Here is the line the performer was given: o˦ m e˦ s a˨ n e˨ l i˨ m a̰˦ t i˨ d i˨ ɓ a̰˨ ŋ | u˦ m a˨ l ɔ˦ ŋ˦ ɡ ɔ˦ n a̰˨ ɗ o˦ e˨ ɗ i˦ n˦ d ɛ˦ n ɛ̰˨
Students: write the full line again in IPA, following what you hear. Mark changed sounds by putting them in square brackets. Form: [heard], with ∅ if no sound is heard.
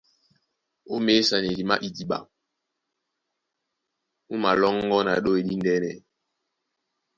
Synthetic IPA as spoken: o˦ m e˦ s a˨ n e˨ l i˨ m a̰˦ [ʔ] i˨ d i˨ ɓ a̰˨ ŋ | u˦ m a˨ l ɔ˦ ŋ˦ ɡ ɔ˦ n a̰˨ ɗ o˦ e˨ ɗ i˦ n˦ d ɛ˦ n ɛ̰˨